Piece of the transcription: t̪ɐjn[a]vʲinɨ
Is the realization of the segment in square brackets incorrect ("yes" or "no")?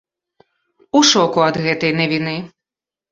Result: yes